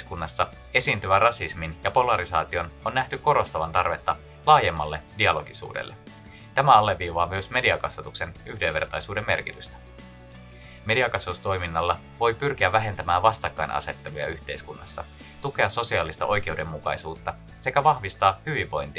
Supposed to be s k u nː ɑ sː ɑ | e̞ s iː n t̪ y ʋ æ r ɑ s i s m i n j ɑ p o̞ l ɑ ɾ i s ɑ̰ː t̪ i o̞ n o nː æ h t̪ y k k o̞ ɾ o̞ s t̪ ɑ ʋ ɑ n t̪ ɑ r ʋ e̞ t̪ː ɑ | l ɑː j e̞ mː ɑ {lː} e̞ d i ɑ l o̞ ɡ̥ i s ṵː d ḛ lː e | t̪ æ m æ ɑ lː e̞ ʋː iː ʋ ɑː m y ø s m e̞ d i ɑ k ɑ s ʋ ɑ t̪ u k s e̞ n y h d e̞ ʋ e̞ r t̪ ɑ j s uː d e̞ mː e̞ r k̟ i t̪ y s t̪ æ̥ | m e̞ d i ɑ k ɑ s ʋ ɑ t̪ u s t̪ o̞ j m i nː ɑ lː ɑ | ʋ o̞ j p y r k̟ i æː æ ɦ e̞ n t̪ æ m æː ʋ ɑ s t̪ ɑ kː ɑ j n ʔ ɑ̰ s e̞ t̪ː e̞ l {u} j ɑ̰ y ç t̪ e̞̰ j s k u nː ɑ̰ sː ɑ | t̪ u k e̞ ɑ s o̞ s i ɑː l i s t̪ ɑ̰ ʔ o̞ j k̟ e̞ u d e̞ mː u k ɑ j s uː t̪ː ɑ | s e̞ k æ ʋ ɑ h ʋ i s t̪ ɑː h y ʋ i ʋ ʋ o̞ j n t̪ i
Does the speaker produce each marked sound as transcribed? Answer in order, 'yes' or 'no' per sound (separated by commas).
yes, yes